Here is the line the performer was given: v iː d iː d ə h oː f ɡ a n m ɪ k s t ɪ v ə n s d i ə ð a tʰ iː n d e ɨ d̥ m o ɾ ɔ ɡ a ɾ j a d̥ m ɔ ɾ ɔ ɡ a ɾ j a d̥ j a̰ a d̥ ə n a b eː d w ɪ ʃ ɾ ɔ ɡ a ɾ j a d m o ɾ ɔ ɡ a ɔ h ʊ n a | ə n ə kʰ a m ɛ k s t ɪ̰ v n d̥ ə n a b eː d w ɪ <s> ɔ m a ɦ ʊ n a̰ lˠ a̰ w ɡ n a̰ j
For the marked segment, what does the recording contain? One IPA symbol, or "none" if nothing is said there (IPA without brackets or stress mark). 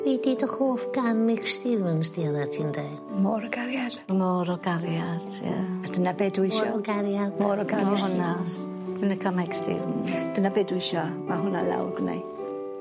ʃ